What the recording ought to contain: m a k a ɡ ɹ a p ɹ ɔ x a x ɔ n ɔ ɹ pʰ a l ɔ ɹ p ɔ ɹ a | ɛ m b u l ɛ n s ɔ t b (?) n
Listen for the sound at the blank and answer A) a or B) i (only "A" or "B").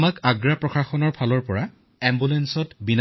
B